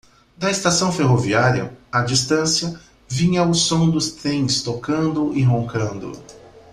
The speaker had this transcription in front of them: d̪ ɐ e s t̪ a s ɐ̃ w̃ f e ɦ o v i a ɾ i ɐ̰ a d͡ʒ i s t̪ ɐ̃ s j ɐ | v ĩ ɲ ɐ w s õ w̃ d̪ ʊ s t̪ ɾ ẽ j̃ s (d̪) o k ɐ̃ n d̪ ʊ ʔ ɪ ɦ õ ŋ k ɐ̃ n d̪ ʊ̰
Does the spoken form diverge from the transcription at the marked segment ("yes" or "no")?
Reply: yes